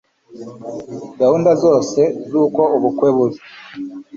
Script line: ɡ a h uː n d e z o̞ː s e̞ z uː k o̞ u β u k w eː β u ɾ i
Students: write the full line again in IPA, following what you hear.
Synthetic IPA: ɡ a h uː n d a z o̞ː s e̞ z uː k o̞ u β u k w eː β u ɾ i

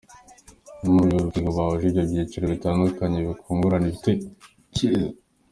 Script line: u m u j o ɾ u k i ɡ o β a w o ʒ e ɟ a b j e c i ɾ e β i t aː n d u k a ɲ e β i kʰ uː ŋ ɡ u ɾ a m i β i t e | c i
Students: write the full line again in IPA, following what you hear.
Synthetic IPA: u m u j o ɾ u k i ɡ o β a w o ʒ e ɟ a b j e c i ɾ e β i t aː n d u k a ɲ e β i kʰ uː ŋ ɡ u ɾ a n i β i t e | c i

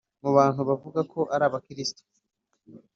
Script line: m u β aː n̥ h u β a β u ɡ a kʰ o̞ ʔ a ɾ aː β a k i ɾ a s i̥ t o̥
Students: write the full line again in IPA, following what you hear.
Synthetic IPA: m u β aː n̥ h u β a v u ɡ a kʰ o̞ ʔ a ɾ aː β a k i ɾ i s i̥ t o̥

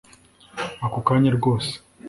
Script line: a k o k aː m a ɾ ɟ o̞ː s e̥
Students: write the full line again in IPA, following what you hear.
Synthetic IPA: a k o k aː ɲ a ɾ ɡ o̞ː s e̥

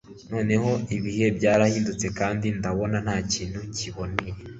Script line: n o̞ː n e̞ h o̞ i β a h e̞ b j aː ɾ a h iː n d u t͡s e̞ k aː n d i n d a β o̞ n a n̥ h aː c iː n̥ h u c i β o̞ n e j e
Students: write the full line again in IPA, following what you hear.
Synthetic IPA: n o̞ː n e̞ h o̞ i β i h e̞ b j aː ɾ a h iː n d u t͡s e̞ k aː n d i n d a β o̞ n a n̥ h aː c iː n̥ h u c i β o̞ n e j e

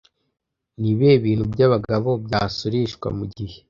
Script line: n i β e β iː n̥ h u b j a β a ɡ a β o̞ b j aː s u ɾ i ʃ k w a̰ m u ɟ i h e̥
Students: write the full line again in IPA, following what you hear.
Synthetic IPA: n i β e β iː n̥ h u b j a β a ɡ a β o̞ b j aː s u ɾ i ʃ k w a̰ m u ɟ i h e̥

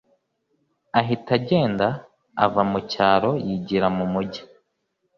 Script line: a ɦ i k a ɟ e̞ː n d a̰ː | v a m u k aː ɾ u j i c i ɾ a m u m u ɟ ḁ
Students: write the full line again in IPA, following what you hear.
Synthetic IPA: a ɦ i t a ɟ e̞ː n d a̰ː | v a m u c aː ɾ o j i ɟ i ɾ a m u m u ɟ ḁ

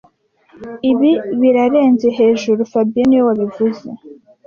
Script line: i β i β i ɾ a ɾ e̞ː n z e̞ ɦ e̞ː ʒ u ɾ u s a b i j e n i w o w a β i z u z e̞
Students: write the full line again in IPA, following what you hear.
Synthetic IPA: i β i β i ɾ a ɾ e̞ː n z e̞ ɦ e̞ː ʒ u ɾ u f a b i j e n i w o w a β i v u z e̞

